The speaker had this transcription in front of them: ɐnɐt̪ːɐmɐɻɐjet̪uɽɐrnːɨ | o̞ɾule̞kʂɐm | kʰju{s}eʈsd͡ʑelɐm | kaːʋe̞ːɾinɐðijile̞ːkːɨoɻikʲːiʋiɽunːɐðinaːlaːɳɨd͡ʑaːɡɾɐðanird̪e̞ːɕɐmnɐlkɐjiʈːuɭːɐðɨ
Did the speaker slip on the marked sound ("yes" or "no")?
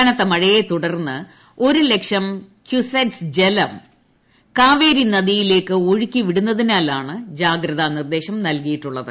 no